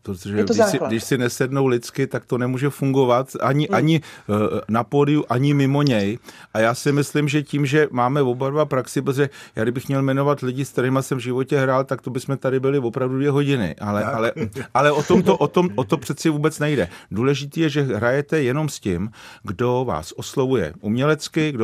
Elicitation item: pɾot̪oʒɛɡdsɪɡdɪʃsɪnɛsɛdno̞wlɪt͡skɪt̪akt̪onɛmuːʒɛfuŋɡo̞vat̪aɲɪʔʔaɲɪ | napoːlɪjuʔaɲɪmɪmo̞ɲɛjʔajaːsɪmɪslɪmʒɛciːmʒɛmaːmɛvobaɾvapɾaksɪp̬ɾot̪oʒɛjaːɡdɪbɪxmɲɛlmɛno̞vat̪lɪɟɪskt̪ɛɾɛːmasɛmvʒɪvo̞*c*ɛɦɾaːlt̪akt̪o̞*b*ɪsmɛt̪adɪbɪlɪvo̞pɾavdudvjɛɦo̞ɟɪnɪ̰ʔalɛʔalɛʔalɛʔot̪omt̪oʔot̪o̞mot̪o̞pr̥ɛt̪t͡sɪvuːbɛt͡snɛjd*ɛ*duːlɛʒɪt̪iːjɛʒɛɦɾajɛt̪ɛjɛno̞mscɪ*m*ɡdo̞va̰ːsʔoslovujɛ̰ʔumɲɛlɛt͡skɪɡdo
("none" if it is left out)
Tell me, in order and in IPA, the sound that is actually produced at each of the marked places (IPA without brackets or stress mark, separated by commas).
c, b, ɛ, m